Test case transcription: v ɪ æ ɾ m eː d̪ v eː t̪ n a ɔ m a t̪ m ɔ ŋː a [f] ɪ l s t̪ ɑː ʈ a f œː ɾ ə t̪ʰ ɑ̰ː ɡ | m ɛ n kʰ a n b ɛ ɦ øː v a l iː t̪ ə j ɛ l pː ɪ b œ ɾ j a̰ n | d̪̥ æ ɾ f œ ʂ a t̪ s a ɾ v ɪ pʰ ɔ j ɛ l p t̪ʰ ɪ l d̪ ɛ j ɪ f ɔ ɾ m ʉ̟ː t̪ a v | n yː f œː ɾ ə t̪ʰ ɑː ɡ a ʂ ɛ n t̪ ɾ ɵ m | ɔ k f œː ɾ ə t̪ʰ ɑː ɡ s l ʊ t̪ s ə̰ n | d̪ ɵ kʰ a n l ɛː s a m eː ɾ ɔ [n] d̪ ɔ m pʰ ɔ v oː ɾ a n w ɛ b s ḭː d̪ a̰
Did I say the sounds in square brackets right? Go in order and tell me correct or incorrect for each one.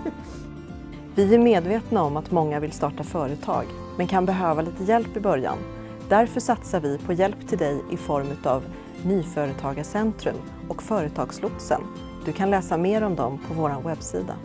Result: incorrect, incorrect

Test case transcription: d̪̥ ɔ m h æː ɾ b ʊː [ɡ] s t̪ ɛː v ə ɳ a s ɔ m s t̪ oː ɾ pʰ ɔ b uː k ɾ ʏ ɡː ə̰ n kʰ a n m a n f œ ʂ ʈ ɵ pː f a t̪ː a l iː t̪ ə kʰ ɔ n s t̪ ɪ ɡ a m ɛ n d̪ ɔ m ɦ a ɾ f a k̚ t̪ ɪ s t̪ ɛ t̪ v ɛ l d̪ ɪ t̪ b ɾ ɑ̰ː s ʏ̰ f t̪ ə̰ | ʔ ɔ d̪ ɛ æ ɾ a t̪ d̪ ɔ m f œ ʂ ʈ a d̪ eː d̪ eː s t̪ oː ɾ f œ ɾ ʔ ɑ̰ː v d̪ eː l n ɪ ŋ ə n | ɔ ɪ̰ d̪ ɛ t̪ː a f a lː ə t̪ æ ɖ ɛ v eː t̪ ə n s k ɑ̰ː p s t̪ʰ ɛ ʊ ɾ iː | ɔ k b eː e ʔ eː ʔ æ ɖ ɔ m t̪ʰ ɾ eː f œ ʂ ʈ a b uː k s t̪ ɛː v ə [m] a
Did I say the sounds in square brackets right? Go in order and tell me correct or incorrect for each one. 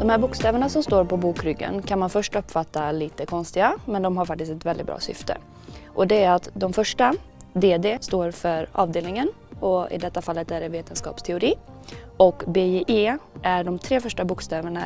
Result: incorrect, incorrect

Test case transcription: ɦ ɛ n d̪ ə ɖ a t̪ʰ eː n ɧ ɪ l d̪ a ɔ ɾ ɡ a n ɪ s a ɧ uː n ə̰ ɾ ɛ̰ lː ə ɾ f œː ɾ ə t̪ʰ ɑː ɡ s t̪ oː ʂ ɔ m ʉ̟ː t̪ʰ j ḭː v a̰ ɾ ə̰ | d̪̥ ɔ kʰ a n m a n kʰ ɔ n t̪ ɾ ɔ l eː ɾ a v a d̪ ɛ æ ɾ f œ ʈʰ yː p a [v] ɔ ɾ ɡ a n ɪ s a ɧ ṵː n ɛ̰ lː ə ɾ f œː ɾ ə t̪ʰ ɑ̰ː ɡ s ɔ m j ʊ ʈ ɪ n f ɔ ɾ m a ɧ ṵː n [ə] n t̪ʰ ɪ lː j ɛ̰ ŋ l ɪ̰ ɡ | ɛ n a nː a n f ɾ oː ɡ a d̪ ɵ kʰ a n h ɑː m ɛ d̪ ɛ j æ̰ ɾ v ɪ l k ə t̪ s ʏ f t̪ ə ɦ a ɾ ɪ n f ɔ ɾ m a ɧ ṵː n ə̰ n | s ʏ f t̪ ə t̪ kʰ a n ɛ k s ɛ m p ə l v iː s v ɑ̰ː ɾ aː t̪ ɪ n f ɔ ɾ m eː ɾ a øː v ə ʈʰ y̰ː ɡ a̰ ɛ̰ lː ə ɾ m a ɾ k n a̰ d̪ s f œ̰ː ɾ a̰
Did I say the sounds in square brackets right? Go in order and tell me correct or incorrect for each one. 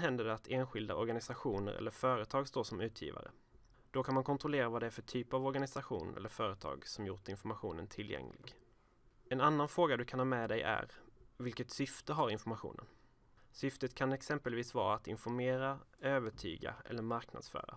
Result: correct, correct

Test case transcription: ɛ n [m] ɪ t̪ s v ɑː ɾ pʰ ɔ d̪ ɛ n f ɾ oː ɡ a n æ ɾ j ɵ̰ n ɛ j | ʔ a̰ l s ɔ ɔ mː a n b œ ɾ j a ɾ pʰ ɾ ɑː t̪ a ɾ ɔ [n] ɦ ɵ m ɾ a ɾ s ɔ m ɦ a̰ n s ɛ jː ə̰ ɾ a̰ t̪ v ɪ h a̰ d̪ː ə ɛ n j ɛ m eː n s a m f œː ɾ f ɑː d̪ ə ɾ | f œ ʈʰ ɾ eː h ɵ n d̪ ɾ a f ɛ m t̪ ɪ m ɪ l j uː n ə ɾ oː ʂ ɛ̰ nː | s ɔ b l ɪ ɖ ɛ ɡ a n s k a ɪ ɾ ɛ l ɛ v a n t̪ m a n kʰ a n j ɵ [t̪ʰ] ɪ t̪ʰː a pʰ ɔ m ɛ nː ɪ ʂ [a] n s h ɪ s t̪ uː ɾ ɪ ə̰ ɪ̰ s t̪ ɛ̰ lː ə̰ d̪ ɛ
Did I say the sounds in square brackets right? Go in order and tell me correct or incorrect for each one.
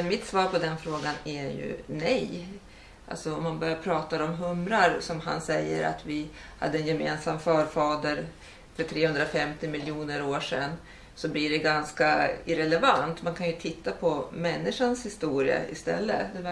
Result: correct, incorrect, correct, correct

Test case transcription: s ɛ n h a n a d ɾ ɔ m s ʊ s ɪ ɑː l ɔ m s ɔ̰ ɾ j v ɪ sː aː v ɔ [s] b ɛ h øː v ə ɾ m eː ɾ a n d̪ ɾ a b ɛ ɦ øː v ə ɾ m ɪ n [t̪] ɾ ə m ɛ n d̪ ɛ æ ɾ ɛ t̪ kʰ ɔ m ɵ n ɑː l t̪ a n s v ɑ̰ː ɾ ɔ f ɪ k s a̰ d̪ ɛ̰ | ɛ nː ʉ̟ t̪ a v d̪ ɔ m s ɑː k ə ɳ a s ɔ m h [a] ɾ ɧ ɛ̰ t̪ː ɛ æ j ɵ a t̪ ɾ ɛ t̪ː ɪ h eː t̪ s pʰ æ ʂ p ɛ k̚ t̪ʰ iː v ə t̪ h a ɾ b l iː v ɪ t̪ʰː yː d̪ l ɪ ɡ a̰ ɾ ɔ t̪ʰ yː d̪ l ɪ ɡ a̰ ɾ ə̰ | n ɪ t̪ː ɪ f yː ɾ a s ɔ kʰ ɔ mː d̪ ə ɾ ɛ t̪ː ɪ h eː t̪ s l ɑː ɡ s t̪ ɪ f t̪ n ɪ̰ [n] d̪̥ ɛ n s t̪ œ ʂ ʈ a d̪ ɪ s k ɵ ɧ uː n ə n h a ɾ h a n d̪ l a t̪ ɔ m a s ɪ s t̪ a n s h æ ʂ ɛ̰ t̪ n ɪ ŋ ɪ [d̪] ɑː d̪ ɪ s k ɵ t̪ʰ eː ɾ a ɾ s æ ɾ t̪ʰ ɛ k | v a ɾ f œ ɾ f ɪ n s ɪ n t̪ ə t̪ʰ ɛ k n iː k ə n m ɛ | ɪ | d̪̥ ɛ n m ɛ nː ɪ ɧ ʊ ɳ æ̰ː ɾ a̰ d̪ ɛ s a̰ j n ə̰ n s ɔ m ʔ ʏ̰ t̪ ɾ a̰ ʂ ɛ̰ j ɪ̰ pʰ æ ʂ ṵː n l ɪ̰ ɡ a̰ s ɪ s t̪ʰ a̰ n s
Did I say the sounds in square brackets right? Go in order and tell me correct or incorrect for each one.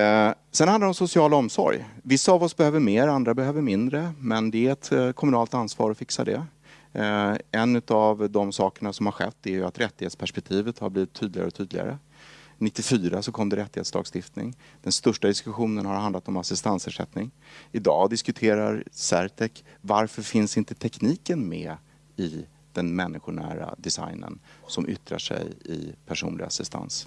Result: correct, incorrect, correct, incorrect, correct

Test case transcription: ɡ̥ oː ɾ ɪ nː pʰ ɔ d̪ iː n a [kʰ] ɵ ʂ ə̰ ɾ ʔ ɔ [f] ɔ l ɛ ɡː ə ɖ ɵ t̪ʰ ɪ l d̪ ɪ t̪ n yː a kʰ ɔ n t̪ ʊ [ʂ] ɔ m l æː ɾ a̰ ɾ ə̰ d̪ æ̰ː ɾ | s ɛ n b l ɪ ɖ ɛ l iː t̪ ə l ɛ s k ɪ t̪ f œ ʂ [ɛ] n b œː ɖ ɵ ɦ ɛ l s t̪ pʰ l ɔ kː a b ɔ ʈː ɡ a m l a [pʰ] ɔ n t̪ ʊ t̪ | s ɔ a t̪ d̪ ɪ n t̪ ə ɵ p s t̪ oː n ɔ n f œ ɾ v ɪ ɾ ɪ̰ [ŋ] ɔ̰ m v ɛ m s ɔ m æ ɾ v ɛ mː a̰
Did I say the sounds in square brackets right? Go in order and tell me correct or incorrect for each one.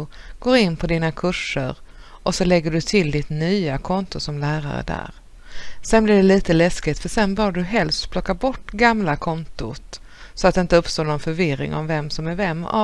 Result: correct, incorrect, incorrect, correct, incorrect, correct

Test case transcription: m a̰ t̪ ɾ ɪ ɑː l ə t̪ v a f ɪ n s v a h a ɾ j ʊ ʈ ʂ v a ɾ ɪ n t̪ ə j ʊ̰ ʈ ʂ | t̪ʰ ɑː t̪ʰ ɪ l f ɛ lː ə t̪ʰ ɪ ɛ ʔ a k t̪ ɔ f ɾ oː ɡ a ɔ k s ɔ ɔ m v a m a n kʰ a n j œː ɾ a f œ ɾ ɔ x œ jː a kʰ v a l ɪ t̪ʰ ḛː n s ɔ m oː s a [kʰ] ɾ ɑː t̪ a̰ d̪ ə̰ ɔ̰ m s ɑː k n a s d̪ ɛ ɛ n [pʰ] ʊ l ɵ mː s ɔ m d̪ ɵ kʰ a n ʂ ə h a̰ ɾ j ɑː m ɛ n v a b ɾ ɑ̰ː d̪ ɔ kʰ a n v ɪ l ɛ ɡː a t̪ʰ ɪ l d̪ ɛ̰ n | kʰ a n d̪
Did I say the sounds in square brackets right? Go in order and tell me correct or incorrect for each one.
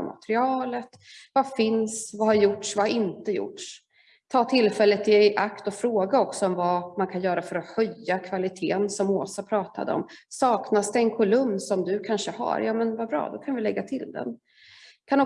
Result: incorrect, incorrect

